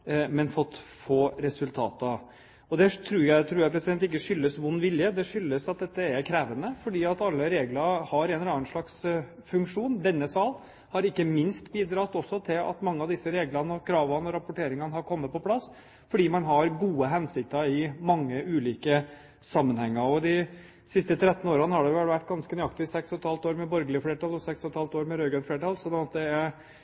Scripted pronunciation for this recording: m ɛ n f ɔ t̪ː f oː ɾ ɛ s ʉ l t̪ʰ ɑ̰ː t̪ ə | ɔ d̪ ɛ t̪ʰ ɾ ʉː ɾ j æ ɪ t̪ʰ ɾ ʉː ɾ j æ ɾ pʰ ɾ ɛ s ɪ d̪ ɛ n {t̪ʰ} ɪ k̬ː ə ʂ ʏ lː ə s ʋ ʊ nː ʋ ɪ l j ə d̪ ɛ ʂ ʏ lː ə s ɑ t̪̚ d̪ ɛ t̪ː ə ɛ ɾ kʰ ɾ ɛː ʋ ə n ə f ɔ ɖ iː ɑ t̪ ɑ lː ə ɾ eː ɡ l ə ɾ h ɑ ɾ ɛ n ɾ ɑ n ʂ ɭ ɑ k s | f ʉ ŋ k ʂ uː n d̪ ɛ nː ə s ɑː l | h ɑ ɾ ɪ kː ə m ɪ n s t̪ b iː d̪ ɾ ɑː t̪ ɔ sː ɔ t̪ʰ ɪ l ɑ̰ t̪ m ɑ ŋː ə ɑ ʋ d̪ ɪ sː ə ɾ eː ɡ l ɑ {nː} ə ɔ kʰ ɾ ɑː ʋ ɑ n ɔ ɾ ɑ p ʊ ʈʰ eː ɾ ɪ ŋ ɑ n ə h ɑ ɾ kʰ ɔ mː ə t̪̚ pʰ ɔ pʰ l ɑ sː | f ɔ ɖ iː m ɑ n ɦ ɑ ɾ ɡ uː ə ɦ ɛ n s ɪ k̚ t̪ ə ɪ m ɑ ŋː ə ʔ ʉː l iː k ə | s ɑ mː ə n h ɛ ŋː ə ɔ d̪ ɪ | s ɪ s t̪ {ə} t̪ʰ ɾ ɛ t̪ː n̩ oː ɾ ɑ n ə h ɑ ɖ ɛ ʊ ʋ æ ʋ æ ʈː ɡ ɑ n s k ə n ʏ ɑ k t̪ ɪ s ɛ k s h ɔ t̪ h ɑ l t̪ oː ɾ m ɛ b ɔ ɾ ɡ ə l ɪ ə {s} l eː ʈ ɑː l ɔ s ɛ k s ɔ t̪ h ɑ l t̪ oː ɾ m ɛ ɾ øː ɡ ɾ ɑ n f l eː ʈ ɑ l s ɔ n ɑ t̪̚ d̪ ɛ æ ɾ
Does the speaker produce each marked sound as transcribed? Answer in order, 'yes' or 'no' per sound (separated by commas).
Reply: no, no, yes, no